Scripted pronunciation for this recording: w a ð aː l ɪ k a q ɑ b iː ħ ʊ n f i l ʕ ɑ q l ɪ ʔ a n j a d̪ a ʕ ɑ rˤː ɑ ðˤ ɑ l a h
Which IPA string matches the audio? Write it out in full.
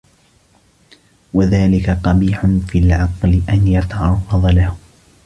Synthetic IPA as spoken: w a ð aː l ɪ k a q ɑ b iː ħ ʊ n f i l ʕ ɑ q l ɪ ʔ a n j a t̪ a ʕ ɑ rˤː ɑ ðˤ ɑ l a h